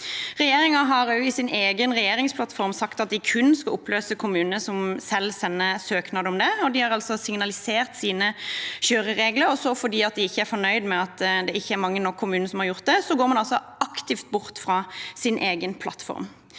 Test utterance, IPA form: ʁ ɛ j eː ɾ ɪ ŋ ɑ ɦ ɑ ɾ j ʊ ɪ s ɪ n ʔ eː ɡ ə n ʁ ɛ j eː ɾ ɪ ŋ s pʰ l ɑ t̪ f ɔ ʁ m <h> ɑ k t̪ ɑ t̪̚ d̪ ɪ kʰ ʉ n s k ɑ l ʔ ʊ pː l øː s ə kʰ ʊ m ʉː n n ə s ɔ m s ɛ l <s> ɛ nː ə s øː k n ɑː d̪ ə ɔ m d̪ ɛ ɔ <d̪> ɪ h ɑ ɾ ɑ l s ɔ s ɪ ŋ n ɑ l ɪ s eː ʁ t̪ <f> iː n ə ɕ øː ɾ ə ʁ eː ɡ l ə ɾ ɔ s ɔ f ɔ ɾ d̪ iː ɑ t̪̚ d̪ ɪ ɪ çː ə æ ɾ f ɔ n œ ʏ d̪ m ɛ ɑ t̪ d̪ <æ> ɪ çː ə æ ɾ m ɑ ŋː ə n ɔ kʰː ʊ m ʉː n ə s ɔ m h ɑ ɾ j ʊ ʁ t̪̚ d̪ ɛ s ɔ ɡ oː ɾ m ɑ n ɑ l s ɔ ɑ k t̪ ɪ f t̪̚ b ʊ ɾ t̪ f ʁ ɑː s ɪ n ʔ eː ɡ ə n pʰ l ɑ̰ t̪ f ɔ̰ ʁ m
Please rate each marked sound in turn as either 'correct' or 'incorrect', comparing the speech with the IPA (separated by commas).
incorrect, correct, correct, incorrect, incorrect